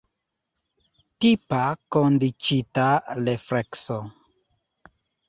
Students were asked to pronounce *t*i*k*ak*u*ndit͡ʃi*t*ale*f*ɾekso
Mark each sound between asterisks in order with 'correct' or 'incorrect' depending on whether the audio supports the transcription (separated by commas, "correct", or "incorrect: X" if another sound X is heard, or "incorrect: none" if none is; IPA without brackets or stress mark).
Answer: correct, incorrect: p, incorrect: o, correct, correct